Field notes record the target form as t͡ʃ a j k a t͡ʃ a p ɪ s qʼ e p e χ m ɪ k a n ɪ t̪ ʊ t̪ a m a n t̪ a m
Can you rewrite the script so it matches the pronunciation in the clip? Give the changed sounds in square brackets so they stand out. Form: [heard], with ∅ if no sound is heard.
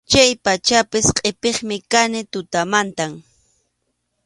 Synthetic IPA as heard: t͡ʃ a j [p] a t͡ʃ a p ɪ s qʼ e p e χ m ɪ k a n ɪ t̪ ʊ t̪ a m a n t̪ a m

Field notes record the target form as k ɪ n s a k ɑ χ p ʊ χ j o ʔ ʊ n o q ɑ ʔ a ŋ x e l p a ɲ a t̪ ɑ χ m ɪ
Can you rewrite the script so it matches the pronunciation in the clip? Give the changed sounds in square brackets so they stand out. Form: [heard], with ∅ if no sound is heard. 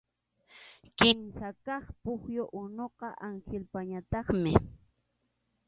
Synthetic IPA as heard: k ɪ [m] s a k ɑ χ p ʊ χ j o ʔ ʊ n o q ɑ ʔ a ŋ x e l p a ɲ a t̪ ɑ χ m ɪ

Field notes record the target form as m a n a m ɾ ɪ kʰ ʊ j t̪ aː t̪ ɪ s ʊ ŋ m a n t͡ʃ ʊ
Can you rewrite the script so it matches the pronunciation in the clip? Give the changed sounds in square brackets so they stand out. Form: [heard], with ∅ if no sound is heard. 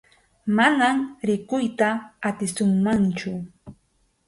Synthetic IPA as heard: m a n a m ɾ ɪ [k] ʊ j t̪ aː t̪ ɪ s ʊ ŋ m a n t͡ʃ ʊ

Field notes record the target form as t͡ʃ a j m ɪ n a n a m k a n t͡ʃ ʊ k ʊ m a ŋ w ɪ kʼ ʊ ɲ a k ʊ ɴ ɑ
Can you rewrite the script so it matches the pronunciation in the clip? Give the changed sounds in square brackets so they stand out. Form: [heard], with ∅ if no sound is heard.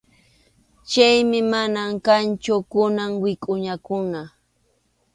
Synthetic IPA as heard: t͡ʃ a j m ɪ [m] a n a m k a n t͡ʃ ʊ k ʊ [n] a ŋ w ɪ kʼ ʊ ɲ a k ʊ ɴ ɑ

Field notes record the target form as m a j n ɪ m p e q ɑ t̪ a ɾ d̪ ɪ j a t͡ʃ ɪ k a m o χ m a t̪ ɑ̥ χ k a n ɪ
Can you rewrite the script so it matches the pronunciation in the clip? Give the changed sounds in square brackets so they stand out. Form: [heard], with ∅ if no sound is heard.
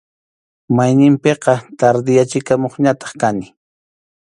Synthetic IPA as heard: m a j n ɪ m p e q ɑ t̪ a ɾ d̪ ɪ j a t͡ʃ ɪ k a m o χ [ɲ] a t̪ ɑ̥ χ k a n ɪ

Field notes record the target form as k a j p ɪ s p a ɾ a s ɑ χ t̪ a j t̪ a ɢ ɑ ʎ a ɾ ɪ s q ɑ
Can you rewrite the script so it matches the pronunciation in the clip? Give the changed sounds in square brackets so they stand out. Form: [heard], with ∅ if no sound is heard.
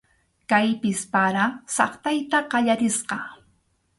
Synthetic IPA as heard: k a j p ɪ s p a ɾ a s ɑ χ t̪ a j t̪ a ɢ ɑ ʎ a ɾ ɪ s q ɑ

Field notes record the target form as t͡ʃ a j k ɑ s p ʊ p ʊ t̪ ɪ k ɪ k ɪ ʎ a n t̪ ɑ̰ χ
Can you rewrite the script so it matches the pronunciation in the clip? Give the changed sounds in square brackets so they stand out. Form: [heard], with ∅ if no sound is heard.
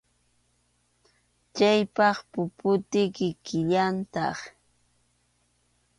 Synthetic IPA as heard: t͡ʃ a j [p] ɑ [χ] p ʊ p ʊ t̪ ɪ k ɪ k ɪ ʎ a n t̪ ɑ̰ χ

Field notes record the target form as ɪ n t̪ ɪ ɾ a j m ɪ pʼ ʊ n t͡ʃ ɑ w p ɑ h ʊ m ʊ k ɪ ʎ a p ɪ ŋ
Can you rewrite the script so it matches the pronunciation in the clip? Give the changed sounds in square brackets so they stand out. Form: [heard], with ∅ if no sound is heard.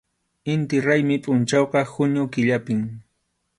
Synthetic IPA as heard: ɪ n t̪ ɪ ɾ a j m ɪ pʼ ʊ n t͡ʃ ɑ w [q] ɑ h ʊ [ɲ] ʊ k ɪ ʎ a p ɪ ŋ

